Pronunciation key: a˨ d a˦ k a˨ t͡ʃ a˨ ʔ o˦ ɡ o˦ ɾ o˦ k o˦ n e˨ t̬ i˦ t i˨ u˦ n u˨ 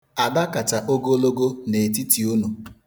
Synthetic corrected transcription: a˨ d a˦ k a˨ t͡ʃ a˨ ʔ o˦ ɡ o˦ l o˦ ɡ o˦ n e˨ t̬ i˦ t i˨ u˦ n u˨